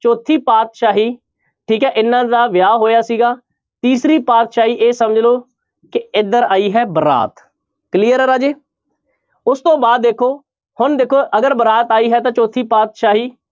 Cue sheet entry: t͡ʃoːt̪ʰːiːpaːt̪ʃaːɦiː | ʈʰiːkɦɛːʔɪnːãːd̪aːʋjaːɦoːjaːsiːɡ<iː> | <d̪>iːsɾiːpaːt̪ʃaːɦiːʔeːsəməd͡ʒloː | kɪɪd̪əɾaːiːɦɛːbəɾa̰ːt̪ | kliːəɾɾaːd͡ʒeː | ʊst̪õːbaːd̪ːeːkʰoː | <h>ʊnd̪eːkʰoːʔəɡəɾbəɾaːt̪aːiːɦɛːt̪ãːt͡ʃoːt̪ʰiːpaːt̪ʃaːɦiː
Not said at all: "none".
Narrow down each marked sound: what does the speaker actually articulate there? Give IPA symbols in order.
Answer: aː, t̪, h

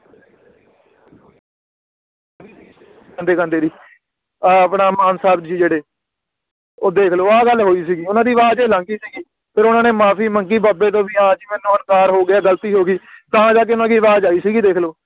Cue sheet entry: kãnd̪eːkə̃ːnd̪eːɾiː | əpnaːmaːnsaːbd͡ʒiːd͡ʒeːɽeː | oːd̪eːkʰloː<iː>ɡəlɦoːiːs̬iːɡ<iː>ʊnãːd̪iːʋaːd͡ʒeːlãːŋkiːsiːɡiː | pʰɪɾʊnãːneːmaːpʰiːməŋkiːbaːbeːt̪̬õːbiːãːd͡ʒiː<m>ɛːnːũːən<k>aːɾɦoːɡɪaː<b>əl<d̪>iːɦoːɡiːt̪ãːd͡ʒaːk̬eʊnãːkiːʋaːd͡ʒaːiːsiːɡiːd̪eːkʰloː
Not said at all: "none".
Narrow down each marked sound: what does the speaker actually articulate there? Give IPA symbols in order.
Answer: aː, iː, m, k, ɡ, t̪

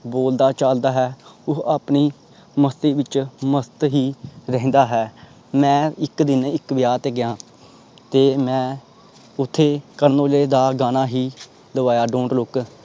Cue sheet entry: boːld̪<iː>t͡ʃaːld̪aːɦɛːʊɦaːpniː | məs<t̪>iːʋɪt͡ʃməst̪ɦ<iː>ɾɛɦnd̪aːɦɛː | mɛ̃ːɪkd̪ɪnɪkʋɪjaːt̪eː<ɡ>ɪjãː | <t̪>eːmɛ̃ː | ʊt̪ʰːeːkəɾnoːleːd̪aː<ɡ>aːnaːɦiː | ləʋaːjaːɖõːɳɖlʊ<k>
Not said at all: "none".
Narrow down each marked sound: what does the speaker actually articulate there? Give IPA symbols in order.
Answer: aː, t̪, iː, ɡ, t̪, ɡ, k

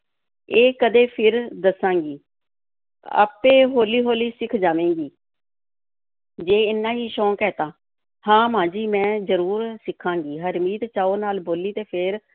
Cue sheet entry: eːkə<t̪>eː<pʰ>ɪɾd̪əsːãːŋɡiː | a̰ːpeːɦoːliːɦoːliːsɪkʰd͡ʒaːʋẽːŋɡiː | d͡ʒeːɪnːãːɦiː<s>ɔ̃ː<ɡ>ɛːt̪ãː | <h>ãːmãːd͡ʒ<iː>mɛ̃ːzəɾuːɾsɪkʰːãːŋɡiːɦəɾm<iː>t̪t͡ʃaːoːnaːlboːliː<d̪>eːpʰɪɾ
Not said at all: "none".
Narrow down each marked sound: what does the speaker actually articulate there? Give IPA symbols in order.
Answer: d̪, pʰ, ʃ, k, h, iː, iː, t̪

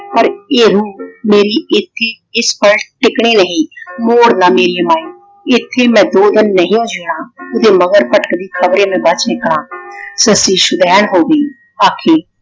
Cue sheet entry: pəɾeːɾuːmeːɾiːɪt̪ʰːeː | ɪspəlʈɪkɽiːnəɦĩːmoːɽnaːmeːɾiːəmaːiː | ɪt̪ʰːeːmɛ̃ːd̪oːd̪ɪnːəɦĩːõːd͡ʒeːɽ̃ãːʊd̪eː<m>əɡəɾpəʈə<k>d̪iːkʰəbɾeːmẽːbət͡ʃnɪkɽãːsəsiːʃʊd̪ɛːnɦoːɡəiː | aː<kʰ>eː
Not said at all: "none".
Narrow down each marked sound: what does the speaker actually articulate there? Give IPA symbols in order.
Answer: m, k, kʰ

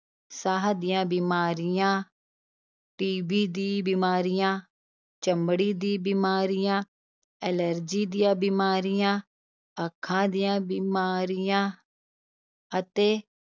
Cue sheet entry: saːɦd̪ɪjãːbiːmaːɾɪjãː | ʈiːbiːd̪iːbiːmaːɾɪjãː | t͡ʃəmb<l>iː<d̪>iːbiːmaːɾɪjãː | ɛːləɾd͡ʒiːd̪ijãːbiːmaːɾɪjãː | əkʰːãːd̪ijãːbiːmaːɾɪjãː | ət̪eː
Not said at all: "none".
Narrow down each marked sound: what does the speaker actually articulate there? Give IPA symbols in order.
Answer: ɽ, d̪

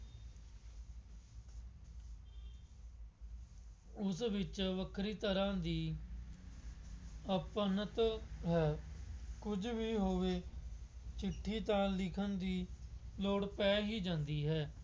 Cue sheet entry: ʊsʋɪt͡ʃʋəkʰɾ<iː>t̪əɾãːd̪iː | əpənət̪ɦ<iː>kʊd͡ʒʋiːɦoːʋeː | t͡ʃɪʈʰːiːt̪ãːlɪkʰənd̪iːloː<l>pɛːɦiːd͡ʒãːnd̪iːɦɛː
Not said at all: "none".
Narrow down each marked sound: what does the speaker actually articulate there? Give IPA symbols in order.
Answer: iː, ɛː, ɽ

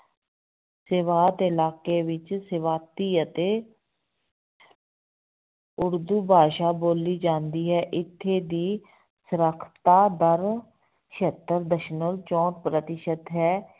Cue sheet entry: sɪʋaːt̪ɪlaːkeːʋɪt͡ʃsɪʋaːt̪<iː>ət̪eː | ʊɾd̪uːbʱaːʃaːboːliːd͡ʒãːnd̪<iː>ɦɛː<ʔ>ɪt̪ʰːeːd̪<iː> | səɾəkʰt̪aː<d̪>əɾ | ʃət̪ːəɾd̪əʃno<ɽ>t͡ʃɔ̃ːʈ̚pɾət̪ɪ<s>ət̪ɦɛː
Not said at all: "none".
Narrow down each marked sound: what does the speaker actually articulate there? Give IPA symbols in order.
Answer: iː, iː, ʔ, iː, d̪, l, ʃ

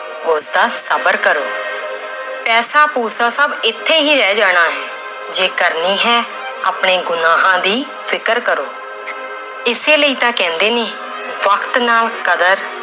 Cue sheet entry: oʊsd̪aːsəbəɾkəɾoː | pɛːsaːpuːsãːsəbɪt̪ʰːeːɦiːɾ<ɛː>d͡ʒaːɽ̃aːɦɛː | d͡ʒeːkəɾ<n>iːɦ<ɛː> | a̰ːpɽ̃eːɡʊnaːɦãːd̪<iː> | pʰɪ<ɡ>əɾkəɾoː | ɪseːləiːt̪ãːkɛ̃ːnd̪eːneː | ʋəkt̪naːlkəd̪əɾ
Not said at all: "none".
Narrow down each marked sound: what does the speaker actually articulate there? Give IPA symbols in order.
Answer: ɛː, n, ɛː, iː, k

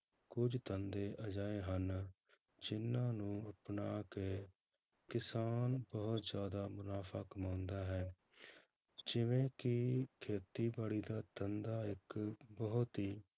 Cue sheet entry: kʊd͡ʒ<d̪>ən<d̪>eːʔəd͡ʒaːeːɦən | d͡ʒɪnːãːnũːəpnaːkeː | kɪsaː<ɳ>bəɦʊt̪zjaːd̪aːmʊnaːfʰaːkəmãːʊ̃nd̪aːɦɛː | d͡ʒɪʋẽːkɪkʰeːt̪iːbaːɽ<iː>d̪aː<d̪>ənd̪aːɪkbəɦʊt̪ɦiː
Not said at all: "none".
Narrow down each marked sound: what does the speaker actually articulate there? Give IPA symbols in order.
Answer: t̪, d̪, n, iː, t̪

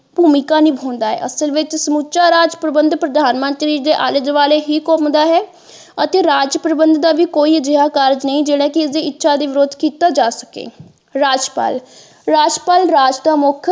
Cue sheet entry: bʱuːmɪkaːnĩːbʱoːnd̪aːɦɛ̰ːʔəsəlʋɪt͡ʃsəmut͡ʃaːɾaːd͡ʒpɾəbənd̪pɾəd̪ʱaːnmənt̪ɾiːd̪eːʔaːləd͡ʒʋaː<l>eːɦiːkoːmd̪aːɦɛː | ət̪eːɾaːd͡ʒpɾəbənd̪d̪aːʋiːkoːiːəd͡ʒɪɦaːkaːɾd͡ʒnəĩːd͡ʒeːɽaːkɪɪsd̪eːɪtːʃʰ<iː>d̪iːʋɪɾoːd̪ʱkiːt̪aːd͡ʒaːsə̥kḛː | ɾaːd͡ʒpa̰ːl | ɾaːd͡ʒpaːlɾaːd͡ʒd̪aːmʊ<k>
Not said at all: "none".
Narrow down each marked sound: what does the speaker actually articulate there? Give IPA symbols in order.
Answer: l, aː, kʰ

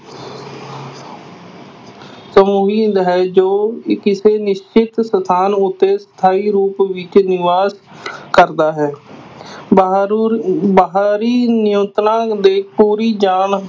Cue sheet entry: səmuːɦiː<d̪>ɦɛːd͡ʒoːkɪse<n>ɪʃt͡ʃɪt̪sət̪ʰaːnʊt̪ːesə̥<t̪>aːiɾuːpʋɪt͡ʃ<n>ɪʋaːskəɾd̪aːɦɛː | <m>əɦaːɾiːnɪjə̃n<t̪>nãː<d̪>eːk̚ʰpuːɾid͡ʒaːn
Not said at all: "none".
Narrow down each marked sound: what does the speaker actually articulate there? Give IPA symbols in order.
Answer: d̪, n, t̪ʰ, n, b, t̪, d̪

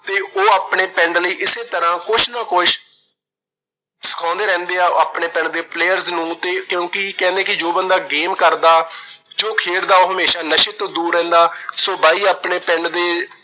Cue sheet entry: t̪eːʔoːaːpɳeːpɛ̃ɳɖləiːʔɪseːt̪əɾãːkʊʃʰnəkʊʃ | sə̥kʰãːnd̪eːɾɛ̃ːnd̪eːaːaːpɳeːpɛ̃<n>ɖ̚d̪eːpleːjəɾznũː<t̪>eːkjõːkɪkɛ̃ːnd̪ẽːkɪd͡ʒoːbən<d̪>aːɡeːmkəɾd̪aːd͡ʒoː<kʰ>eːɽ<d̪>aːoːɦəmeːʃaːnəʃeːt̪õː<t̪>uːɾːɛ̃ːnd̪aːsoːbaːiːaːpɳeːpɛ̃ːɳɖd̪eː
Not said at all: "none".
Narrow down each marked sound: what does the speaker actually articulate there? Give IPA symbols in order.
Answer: ɳ, t̪, d̪, kʰ, d̪, d̪

